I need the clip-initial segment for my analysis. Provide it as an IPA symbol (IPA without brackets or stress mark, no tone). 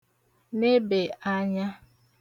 n